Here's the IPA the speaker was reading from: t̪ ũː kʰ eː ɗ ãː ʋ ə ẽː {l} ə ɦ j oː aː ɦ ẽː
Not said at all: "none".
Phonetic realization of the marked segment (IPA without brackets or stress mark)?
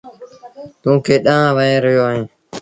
ɾ